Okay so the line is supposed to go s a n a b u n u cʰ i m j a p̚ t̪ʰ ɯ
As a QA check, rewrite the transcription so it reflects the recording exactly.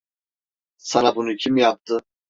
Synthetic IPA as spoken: s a n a b u n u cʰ i m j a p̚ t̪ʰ ɯ